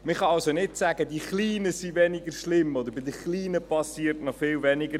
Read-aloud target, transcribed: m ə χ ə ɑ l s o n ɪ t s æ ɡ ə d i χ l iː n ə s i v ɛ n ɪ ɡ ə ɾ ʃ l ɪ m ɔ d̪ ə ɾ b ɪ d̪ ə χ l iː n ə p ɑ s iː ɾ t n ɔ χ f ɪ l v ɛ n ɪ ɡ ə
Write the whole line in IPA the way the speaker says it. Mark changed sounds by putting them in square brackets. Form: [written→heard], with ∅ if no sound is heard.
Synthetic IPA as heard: m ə χ [ə→ɑ] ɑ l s o n ɪ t s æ ɡ ə d i χ l iː n ə s i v ɛ n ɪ ɡ ə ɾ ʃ l ɪ m ɔ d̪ ə ɾ b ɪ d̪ ə χ l iː n ə p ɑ s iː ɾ t n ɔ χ f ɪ l v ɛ n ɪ ɡ ə